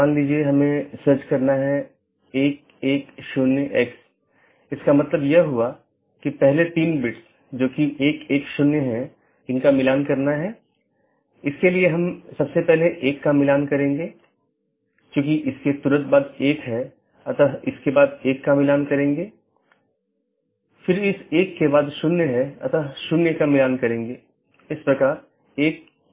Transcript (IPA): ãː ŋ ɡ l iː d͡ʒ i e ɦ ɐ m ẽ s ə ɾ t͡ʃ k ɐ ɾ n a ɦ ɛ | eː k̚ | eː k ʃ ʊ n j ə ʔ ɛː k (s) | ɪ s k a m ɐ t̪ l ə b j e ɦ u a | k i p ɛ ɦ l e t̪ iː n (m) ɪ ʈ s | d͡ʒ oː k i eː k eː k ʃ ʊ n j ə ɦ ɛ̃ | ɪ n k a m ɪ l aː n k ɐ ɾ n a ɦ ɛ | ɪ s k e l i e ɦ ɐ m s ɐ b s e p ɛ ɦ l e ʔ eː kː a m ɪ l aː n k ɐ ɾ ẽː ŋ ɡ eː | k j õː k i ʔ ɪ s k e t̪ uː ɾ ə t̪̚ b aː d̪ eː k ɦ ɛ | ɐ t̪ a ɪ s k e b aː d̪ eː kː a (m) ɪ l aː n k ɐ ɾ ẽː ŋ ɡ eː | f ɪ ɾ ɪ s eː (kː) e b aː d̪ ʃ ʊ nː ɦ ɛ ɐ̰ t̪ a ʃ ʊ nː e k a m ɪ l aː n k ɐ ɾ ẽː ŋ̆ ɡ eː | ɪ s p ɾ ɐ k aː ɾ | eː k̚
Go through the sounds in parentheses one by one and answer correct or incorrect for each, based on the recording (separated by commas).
correct, incorrect, correct, correct